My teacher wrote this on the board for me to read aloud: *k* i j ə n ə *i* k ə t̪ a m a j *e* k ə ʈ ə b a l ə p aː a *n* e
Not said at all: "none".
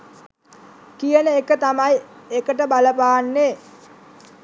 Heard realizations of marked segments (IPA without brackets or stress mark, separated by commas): k, e, e, nː